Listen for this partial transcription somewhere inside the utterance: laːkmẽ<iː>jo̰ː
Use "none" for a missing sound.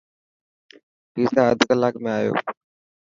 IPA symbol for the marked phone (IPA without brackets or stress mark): aː